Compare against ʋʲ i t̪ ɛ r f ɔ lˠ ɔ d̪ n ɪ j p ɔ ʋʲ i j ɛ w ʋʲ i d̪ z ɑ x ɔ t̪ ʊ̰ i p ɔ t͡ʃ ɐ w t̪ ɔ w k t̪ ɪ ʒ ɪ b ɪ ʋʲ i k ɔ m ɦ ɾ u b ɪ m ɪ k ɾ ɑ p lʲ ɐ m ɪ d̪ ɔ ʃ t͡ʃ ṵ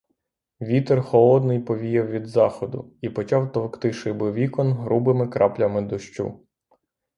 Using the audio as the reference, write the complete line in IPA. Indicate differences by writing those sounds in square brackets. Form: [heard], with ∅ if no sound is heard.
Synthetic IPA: ʋʲ i t̪ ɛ r [x] ɔ lˠ ɔ d̪ n ɪ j p ɔ ʋʲ i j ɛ w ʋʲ i d̪ z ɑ x ɔ [d̪] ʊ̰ i p ɔ t͡ʃ [ɑ] w t̪ ɔ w k t̪ ɪ [ʃ] ɪ b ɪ ʋʲ i k ɔ [n] ɦ ɾ u b ɪ m ɪ k ɾ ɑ p lʲ ɐ m ɪ d̪ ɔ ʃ t͡ʃ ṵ